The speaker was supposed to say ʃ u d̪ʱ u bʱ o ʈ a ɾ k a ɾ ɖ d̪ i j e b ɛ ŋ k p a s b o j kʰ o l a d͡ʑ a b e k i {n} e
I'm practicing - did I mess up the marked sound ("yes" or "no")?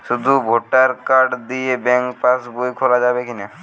no